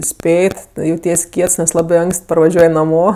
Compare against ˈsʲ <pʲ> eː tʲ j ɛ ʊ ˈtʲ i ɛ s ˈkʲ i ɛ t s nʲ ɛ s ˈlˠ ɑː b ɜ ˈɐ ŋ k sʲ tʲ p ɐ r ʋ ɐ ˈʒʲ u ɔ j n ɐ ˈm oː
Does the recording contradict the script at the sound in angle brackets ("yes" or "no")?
no